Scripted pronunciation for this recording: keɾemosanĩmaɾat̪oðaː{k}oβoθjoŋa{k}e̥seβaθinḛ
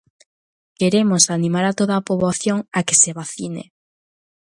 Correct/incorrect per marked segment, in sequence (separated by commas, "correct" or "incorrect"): incorrect, correct